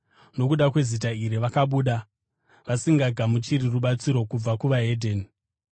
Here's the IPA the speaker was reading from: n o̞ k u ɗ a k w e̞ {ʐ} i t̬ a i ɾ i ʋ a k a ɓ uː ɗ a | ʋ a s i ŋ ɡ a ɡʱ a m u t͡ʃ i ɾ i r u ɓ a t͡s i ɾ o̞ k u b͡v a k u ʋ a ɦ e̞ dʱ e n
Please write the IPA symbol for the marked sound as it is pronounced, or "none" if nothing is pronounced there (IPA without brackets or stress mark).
z